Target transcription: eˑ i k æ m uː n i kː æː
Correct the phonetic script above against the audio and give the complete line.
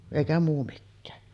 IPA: eˑ i k æ m uː m i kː æː